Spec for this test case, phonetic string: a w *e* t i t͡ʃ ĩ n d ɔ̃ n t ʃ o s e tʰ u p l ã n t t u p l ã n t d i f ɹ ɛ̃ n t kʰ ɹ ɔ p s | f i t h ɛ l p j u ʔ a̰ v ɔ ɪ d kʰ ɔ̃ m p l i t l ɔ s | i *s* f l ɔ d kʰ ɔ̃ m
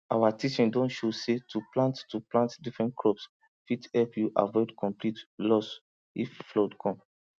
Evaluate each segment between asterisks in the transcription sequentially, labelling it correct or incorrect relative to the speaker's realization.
incorrect, incorrect

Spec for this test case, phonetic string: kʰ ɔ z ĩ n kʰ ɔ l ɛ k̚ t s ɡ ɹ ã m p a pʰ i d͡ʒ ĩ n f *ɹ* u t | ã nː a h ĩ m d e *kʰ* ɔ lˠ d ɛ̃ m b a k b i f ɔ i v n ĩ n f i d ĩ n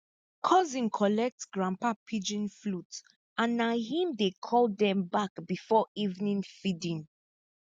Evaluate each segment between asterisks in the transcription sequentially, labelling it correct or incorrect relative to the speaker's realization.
incorrect, correct

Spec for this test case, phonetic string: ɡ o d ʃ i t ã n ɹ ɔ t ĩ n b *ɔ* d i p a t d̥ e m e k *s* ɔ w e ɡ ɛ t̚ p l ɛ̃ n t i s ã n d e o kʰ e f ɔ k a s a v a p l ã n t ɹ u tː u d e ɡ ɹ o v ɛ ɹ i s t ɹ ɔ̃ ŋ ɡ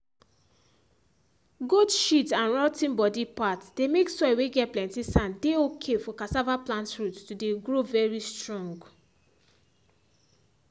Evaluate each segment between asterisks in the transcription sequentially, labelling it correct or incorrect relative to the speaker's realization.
correct, correct

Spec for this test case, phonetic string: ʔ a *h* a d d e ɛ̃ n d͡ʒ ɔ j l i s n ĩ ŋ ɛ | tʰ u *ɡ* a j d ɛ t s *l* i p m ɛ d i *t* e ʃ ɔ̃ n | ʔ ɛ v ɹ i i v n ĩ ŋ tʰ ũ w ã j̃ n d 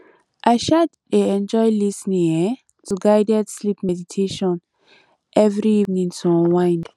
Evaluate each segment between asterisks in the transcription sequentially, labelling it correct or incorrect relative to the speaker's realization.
incorrect, correct, correct, incorrect

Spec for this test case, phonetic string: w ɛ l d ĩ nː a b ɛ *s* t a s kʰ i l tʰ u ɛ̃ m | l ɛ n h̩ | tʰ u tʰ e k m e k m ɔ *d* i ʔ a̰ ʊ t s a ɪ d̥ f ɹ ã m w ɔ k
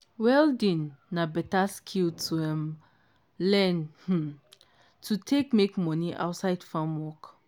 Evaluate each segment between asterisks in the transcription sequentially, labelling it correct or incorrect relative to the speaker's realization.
incorrect, incorrect

